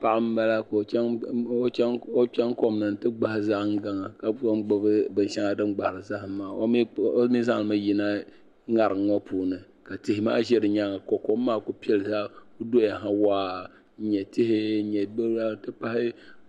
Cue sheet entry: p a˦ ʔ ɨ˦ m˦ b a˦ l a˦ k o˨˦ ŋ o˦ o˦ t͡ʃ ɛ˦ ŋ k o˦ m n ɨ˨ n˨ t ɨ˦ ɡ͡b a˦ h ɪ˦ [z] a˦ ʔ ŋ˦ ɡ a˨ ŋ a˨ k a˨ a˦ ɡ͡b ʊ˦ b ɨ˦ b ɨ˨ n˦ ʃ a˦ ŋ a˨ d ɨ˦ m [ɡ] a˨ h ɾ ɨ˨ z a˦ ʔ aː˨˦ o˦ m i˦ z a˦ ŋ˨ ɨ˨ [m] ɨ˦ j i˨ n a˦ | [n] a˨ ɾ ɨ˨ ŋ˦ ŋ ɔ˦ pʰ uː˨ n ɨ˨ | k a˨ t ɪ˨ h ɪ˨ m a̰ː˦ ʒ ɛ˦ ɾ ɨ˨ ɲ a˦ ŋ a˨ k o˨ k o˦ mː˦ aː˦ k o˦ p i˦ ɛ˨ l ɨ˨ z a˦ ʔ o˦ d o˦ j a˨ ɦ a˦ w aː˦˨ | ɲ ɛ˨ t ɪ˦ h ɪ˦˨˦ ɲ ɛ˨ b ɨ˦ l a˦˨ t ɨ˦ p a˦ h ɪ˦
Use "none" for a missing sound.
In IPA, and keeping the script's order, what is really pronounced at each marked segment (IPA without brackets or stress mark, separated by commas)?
z, ɡ͡b, m, ŋ